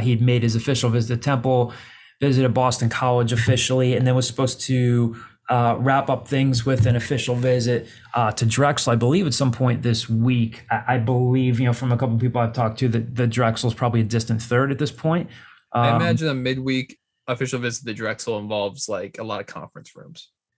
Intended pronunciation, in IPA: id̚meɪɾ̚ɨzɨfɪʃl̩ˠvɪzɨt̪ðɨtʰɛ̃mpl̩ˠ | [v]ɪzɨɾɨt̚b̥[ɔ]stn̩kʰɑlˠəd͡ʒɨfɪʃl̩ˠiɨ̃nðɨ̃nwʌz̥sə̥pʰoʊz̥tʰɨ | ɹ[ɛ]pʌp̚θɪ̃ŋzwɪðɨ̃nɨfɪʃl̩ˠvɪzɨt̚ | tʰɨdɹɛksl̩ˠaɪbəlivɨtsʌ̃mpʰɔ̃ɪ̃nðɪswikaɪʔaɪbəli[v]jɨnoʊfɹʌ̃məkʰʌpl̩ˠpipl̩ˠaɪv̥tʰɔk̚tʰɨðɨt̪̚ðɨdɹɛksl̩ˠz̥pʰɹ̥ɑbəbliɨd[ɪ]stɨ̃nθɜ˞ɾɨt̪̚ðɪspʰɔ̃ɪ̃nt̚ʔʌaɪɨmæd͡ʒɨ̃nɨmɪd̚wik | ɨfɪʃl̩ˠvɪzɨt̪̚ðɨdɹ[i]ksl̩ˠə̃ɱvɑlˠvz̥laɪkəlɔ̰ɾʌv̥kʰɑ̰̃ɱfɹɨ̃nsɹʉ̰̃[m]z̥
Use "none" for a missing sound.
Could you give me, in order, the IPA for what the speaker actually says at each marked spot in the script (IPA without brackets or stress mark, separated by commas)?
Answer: v, ɔ, æ, v, ɪ, ɛ, m